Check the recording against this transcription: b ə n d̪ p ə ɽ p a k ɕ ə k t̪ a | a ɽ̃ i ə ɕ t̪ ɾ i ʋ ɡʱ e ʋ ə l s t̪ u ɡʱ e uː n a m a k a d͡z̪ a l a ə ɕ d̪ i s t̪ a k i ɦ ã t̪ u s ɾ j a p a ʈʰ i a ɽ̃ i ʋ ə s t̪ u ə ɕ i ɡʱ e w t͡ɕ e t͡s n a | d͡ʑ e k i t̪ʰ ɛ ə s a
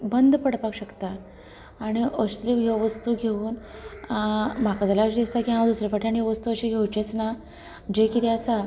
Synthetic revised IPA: b ə n d̪ p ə ɽ p a k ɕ ə k t̪ a | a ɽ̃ i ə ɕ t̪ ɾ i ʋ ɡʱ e ʋ ə s t̪ u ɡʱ e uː n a m a k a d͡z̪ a l a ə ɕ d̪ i s t̪ a k i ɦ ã d̪ u s ɾ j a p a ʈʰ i a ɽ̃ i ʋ ə s t̪ u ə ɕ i ɡʱ e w t͡ɕ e t͡s n a | d͡ʑ e k i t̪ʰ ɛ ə s a